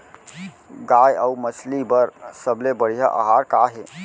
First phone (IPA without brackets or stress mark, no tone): ɡ